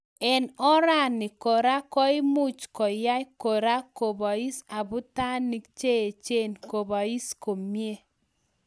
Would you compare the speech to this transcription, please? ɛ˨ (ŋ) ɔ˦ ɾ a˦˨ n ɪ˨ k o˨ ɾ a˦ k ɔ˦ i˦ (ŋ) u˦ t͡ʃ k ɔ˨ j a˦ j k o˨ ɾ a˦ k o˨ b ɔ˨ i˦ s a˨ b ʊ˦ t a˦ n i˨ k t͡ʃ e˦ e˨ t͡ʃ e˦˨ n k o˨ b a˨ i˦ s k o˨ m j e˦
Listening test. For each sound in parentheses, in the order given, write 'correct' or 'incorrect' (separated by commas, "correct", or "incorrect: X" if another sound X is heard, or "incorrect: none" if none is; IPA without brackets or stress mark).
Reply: incorrect: n, incorrect: m